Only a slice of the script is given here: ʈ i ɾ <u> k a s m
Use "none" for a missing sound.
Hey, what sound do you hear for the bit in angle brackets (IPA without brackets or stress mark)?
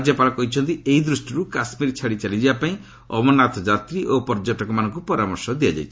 u